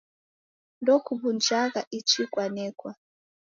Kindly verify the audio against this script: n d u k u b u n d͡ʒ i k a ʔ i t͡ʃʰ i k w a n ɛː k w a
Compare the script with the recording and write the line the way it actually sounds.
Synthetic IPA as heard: n d ɔ k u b u n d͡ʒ a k a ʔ i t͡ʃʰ i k w a n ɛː k w a